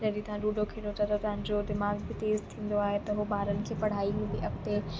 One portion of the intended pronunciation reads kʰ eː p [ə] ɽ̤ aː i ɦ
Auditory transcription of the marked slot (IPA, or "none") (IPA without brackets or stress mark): ɐ